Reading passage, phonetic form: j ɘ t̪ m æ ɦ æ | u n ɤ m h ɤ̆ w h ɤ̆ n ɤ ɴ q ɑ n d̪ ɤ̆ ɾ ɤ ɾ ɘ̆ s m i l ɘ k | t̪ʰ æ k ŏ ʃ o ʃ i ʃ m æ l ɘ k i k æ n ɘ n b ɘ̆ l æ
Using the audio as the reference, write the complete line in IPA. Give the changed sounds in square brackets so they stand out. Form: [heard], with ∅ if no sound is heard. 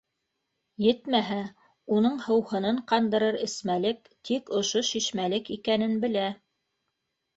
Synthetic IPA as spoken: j ɘ t̪ m æ ɦ æ | u n ɤ [ɴ] h ɤ̆ w h ɤ̆ n ɤ ɴ q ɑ n d̪ ɤ̆ ɾ ɤ ɾ ɘ̆ s m [æ] l ɘ k | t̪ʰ [i] k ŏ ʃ o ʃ i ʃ m æ l ɘ k i k æ n ɘ n b ɘ̆ l æ